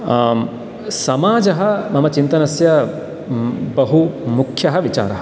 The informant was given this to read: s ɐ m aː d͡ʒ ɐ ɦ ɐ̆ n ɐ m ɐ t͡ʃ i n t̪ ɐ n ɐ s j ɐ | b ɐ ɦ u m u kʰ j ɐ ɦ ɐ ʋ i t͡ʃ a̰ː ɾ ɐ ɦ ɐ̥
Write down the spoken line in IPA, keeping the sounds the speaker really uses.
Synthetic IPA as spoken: s ɐ m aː d͡ʒ ɐ ɦ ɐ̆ m ɐ m ɐ t͡ʃ i n t̪ ɐ n ɐ s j ɐ | b ɐ ɦ u m u kʰ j ɐ ɦ ɐ ʋ i t͡ʃ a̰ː ɾ ɐ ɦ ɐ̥